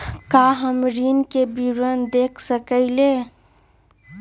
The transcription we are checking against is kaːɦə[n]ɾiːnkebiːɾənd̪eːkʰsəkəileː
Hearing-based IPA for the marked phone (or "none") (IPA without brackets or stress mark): m